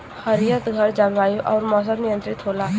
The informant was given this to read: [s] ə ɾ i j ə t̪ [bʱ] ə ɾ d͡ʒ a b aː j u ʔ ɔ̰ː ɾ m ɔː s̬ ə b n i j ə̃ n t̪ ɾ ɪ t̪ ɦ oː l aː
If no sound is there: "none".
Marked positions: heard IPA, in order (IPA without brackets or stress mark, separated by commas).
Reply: h, ɡʱ